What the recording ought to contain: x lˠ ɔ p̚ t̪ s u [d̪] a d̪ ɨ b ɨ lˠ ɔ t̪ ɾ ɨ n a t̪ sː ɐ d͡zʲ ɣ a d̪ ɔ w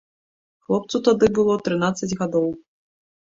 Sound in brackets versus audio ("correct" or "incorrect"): incorrect